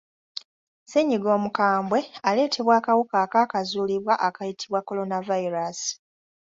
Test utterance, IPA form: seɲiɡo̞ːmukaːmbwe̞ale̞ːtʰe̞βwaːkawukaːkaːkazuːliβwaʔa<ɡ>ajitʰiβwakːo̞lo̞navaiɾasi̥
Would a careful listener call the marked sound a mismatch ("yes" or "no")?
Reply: yes